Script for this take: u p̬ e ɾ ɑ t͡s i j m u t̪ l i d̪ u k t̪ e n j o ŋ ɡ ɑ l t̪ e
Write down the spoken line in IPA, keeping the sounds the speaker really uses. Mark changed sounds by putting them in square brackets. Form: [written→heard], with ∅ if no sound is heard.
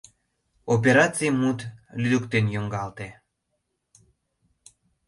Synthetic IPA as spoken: [u→o] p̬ e ɾ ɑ t͡s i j m u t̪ l [i→y] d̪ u k t̪ e n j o ŋ ɡ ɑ l t̪ e